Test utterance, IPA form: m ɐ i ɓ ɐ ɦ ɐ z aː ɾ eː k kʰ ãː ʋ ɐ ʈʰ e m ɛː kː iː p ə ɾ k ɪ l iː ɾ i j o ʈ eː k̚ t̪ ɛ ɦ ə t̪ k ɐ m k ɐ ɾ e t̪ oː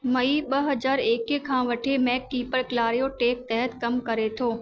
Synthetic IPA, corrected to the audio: m ɐ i ɓ ɐ ɦ ɐ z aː ɾ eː k kʰ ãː ʋ ɐ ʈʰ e m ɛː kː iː p ə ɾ k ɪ l aː ɾ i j o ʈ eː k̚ t̪ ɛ ɦ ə t̪ k ɐ m k ɐ ɾ e t̪ʰ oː